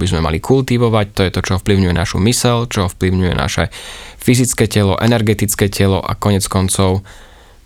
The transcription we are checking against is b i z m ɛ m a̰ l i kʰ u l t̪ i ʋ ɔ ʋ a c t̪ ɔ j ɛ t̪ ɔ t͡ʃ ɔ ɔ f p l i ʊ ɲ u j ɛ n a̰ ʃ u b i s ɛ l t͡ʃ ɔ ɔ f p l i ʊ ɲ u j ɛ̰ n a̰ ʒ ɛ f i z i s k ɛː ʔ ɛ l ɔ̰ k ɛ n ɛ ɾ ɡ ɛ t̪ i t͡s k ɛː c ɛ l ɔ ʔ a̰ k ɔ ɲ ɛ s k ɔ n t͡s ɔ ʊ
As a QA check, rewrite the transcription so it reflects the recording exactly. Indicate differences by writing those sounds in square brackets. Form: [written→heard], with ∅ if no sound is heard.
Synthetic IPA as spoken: b i z m ɛ m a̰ l i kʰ u l t̪ i ʋ ɔ ʋ a c t̪ ɔ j ɛ t̪ ɔ t͡ʃ ɔ ɔ f p l i ʊ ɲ u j ɛ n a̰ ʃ u [b→m] i s ɛ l t͡ʃ ɔ ɔ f p l i ʊ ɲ u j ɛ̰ n a̰ [ʒ→ʃ] ɛ f i z i [s→t͡s] k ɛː [ʔ→c] ɛ l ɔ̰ [k→ʔ] ɛ n ɛ ɾ ɡ ɛ t̪ i t͡s k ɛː c ɛ l ɔ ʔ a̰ k ɔ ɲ ɛ [s→t͡s] k ɔ n t͡s ɔ ʊ